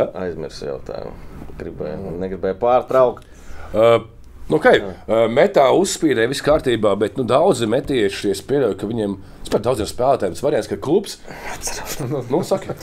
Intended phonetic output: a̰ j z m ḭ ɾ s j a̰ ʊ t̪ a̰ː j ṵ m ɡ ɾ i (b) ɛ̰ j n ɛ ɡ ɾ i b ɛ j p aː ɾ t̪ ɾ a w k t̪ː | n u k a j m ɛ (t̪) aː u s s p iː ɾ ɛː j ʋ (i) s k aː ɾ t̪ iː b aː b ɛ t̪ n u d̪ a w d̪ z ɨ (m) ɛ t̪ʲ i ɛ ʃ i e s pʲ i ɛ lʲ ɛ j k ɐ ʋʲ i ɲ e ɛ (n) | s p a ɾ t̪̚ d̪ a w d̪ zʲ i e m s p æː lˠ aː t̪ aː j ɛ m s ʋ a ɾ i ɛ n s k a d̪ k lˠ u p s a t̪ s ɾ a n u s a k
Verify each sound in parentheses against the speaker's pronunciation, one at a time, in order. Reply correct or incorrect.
correct, correct, correct, correct, incorrect

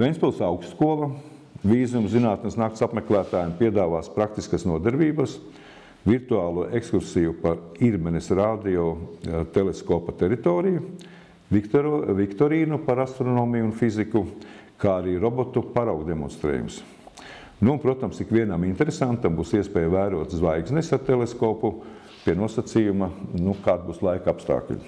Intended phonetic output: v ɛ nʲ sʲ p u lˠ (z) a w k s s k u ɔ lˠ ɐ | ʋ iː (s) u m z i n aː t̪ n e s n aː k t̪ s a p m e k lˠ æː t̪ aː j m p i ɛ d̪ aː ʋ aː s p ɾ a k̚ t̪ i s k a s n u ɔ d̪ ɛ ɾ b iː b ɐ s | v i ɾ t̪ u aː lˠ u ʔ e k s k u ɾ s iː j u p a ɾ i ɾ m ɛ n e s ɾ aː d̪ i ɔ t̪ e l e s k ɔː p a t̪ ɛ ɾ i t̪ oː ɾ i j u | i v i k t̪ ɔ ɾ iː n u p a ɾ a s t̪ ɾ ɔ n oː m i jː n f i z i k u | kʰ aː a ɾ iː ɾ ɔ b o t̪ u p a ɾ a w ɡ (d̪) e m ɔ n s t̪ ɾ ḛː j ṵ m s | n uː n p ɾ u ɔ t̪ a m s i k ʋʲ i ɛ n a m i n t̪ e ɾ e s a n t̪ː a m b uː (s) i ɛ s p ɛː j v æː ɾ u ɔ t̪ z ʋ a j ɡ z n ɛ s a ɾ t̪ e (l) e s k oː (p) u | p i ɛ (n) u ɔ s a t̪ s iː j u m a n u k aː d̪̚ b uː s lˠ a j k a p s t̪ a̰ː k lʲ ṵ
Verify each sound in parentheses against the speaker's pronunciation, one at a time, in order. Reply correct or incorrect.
incorrect, incorrect, correct, correct, correct, correct, correct

